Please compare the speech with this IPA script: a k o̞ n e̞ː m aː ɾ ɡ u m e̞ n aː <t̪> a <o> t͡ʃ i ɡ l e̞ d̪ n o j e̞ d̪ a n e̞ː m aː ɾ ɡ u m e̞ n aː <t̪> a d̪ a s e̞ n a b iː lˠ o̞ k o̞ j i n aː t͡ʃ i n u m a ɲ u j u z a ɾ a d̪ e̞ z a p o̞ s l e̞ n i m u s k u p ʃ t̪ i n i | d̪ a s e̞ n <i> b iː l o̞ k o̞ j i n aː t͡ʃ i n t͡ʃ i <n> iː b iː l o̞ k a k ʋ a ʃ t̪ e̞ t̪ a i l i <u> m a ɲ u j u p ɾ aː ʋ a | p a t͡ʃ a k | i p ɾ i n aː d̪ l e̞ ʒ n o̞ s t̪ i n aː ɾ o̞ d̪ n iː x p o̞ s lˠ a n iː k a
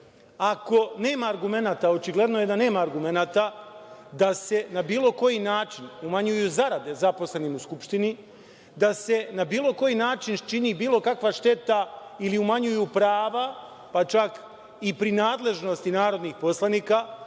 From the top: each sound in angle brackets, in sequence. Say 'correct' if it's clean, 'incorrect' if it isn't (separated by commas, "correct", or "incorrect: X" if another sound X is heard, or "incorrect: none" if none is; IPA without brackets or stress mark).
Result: correct, correct, correct, incorrect: a, correct, correct